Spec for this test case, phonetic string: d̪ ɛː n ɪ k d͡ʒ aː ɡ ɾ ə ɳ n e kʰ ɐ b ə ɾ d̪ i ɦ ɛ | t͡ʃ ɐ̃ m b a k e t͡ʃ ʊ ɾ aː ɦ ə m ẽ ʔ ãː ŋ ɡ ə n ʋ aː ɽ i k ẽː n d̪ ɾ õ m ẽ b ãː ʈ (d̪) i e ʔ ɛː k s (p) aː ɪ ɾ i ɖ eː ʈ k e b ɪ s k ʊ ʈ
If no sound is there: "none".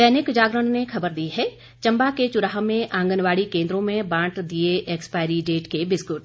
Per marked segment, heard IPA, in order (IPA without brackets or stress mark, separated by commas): d̪, p